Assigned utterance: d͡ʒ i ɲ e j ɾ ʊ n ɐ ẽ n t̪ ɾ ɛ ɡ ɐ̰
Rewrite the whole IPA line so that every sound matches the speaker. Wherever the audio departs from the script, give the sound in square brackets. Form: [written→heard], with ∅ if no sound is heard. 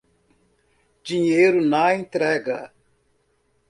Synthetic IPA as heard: d͡ʒ i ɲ e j ɾ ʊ n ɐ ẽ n t̪ ɾ ɛ ɡ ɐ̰